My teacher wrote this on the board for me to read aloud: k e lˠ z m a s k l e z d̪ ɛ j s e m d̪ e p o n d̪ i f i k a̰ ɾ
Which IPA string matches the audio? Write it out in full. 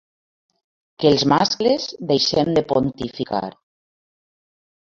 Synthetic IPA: k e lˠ z m a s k l e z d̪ e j ʃ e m d̪ e p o n t̪ i f i k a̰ ɾ